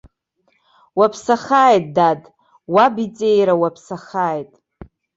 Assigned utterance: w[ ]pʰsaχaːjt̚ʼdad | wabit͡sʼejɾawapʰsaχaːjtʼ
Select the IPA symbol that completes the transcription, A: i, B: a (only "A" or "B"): B